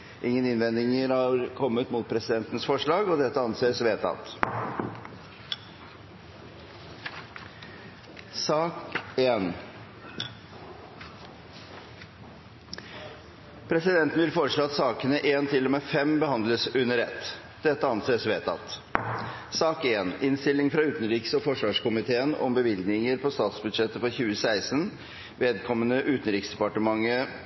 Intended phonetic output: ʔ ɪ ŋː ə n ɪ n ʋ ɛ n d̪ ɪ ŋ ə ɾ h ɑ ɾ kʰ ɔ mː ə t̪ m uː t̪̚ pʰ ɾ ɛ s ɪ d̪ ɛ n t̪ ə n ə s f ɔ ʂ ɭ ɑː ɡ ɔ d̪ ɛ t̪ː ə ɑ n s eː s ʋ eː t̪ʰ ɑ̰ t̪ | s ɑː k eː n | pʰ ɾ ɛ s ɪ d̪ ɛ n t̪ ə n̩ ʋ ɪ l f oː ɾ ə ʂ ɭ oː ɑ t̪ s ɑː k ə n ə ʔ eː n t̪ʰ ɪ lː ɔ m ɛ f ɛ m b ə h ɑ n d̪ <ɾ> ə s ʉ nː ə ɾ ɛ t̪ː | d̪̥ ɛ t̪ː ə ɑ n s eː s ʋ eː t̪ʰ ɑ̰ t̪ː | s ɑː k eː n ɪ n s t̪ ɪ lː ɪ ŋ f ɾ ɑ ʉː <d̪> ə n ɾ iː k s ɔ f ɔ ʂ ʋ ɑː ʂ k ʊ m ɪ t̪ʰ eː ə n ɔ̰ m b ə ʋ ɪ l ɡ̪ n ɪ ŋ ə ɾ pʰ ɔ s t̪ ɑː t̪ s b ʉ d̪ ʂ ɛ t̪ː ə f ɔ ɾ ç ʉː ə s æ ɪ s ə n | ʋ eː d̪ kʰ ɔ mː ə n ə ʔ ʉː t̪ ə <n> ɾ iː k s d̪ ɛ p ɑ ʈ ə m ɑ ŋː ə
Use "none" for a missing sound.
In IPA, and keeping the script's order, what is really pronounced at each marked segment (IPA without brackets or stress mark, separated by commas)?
l, t̪, n